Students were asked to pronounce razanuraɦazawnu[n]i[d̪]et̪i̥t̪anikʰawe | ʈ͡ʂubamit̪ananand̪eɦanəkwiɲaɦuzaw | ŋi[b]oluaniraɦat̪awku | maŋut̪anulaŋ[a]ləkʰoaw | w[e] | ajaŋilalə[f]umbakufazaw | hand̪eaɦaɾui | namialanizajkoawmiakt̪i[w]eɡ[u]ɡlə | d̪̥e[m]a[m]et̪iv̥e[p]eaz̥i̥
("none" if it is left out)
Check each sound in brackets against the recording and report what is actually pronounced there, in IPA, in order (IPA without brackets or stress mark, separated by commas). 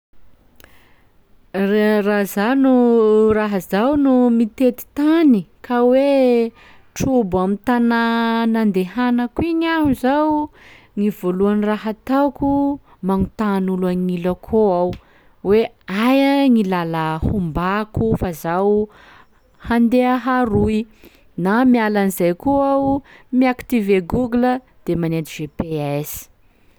m, t̪, v, i, e, h, v, u, m, n, p